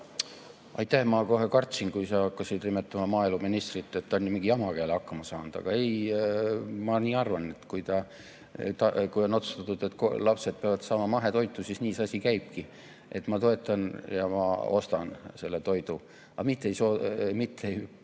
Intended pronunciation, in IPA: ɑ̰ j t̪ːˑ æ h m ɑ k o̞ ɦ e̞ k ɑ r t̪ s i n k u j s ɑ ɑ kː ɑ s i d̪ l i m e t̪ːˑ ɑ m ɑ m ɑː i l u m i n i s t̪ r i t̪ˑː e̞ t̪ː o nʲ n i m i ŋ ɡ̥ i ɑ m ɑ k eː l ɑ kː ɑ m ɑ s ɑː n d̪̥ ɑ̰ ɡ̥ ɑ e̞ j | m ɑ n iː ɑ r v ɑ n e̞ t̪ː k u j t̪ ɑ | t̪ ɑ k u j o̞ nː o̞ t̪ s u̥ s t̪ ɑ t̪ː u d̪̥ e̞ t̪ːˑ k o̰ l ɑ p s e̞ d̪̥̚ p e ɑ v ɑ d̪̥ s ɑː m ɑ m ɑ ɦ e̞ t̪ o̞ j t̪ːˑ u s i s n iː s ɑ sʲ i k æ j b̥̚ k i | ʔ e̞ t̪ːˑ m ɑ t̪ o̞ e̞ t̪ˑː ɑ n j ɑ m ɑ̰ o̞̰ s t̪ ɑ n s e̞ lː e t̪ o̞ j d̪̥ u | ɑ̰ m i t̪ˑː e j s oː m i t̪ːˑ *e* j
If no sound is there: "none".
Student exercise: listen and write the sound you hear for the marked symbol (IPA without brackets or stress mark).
e